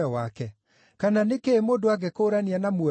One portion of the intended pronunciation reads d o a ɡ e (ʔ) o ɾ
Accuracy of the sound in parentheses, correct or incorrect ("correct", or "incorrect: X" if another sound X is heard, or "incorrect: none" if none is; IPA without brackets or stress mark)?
incorrect: k